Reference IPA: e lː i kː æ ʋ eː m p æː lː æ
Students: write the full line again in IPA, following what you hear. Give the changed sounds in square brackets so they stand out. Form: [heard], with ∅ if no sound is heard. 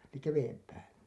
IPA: e [l] i kː æ ʋ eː m p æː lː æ